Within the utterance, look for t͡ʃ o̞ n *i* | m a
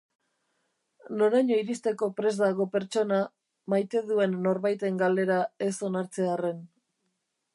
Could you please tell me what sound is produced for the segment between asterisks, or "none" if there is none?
a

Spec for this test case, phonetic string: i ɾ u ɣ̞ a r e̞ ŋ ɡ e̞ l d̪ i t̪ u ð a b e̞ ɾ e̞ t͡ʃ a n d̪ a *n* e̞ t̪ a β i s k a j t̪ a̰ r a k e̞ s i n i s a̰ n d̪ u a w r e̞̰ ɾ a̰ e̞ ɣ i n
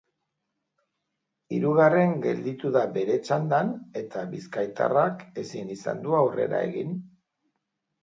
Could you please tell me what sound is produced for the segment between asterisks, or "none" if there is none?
n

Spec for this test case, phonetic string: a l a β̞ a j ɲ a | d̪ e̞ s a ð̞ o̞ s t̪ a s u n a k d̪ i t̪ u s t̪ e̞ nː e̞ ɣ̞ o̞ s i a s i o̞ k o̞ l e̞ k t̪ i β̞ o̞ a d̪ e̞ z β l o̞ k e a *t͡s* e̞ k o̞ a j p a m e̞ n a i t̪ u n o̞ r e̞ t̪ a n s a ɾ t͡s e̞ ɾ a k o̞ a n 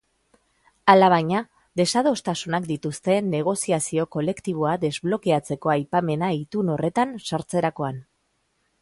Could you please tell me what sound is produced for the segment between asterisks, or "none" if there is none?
t͡s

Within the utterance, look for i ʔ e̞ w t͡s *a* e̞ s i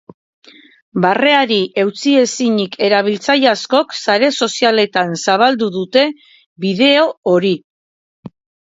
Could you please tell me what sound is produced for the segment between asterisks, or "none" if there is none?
i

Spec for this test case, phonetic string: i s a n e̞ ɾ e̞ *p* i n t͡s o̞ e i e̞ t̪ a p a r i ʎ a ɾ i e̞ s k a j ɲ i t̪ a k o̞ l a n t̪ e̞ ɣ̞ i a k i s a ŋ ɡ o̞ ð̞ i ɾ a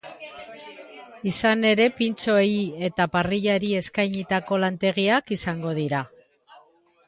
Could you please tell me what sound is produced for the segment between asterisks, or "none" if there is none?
p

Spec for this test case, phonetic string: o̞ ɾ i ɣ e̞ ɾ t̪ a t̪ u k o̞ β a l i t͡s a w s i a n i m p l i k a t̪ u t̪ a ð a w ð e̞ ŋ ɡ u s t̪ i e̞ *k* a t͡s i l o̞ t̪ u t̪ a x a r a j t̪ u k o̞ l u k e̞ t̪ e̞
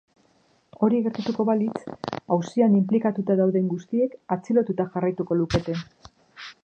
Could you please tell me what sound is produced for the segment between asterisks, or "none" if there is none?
k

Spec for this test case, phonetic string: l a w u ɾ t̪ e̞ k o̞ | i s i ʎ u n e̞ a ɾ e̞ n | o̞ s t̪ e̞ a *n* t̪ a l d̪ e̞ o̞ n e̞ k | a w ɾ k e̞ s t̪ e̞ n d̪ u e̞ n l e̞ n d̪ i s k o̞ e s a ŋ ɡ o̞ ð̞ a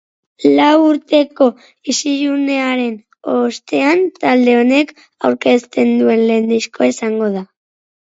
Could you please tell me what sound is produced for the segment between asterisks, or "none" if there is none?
n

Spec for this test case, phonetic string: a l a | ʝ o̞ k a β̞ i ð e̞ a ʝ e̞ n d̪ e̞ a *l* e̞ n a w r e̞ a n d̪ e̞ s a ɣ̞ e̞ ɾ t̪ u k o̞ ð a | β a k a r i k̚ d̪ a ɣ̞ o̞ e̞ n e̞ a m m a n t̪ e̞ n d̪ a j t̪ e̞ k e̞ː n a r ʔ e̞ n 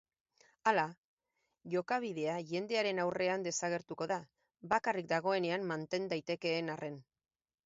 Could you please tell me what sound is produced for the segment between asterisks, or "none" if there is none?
ɾ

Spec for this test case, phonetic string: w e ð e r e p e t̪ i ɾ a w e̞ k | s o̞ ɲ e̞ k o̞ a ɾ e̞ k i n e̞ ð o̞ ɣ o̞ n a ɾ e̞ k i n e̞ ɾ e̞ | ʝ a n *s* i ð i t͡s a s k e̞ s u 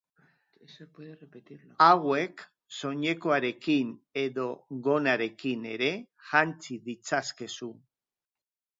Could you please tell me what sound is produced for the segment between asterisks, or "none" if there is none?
t͡s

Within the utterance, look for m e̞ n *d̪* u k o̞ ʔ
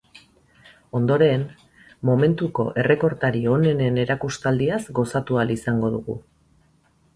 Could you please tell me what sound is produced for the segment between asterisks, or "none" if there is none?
t̪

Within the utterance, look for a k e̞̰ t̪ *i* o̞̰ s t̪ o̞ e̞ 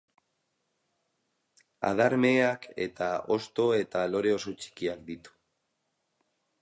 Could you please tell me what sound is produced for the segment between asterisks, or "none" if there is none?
a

